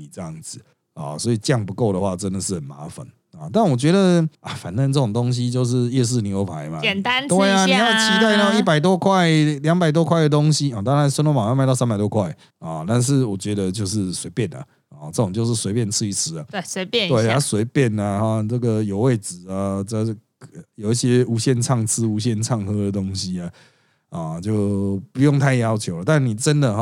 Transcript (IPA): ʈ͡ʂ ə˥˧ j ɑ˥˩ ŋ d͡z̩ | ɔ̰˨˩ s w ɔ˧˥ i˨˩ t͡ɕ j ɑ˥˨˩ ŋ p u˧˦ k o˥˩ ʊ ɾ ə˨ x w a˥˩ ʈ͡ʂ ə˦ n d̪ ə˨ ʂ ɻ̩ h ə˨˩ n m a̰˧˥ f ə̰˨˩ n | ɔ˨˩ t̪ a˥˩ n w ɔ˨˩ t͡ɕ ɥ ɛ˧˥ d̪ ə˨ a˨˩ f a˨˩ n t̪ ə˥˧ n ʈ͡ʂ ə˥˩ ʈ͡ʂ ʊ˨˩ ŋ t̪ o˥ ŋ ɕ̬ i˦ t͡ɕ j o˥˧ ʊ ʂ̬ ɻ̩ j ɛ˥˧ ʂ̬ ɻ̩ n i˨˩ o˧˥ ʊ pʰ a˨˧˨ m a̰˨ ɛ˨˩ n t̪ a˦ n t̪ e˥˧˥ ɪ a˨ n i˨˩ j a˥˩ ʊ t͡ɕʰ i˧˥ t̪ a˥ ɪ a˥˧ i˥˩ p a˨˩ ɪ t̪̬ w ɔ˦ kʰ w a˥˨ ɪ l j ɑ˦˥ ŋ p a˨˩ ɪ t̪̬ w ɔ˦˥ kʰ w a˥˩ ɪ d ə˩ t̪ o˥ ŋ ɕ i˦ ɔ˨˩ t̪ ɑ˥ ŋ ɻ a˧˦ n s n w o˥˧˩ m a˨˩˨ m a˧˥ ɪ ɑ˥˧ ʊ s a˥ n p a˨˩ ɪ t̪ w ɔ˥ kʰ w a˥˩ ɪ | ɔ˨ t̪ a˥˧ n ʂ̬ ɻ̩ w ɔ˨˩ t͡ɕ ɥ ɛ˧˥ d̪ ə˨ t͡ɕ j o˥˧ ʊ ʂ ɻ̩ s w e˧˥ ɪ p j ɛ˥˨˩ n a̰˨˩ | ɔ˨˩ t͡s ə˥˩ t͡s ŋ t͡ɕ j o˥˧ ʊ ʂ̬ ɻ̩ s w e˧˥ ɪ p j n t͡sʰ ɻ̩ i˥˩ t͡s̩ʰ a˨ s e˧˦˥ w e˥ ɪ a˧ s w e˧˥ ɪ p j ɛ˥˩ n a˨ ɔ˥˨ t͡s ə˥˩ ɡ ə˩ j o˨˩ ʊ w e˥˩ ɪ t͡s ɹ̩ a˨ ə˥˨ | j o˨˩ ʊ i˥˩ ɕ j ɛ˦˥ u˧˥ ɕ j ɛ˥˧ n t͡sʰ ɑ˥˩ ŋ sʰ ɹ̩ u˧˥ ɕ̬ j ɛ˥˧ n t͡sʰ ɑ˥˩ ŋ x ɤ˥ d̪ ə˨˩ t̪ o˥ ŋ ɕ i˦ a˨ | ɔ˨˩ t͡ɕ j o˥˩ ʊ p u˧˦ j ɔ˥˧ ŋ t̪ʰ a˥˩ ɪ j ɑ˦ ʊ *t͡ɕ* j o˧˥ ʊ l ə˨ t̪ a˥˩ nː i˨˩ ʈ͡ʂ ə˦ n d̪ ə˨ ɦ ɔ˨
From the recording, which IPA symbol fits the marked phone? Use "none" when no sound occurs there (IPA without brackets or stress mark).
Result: t͡ɕʰ